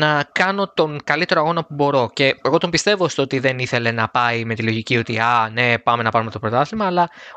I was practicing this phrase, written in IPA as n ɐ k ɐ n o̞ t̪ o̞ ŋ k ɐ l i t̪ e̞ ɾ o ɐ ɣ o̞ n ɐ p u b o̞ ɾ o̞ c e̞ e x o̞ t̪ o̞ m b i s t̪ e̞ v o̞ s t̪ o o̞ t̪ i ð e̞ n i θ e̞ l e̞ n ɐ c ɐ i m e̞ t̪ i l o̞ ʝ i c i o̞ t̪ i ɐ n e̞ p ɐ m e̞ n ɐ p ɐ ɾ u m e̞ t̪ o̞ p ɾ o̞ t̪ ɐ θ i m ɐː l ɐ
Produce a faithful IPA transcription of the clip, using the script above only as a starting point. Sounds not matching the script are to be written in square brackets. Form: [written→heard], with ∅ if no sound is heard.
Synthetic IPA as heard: n ɐ k ɐ n o̞ t̪ o̞ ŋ k ɐ l i t̪ e̞ ɾ o ɐ ɣ o̞ n ɐ p u b o̞ ɾ o̞ c e̞ e [x→ɣ] o̞ t̪ o̞ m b i s t̪ e̞ v o̞ s t̪ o o̞ t̪ i ð e̞ n i θ e̞ l e̞ n ɐ [c→p] ɐ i m e̞ t̪ i l o̞ ʝ i c i o̞ t̪ i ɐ n e̞ p ɐ m e̞ n ɐ p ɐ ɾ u m e̞ t̪ o̞ p ɾ o̞ t̪ ɐ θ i m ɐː l ɐ